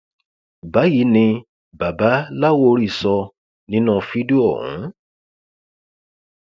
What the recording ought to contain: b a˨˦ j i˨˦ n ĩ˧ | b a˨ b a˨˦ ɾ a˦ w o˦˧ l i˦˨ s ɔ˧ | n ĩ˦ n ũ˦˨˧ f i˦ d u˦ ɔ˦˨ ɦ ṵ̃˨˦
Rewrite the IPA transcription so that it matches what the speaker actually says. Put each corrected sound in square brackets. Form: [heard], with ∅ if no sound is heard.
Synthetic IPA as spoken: b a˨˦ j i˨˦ n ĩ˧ | b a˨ b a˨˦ [l] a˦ w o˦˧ [ɾ] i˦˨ s ɔ˧ | n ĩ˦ n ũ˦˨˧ f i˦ d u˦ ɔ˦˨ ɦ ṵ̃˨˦